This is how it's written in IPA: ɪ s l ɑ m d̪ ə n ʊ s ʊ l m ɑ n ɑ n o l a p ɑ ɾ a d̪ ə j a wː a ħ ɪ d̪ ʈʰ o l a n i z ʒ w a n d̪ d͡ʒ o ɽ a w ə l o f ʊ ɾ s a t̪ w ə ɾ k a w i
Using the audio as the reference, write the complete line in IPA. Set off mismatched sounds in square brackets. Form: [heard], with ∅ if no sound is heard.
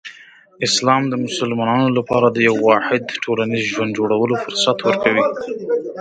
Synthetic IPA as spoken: ɪ s l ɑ m d̪ ə [m] ʊ s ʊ l m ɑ n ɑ n o l a p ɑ ɾ a d̪ ə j a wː [ɑ] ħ ɪ d̪ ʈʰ o l a n i z ʒ w a n d̪ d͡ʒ o ɽ a w ə l o f ʊ ɾ s a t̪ w ə ɾ k a w i